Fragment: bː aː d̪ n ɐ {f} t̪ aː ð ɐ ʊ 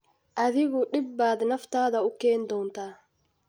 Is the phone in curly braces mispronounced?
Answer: no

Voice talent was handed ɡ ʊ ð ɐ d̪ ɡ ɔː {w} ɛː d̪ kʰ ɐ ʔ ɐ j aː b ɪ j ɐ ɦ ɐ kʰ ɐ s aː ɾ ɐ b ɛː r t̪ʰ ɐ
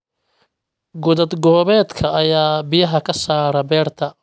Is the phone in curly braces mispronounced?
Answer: yes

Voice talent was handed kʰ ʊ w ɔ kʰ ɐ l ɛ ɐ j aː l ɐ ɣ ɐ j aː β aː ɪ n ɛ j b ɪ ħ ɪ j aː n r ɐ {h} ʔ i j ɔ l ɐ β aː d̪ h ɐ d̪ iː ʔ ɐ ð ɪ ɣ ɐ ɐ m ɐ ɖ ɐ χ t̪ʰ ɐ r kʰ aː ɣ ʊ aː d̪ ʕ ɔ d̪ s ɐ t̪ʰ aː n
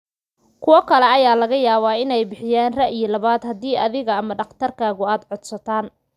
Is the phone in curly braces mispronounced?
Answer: yes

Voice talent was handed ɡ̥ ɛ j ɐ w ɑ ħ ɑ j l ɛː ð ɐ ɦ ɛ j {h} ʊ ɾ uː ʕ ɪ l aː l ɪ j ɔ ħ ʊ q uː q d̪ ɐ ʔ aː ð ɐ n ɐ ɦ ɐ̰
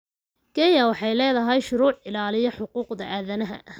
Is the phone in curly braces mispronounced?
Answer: yes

